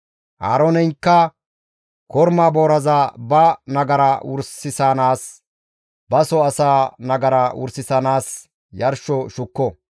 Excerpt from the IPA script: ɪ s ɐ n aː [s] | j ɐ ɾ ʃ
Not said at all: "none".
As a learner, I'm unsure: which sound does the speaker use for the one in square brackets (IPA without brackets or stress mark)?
s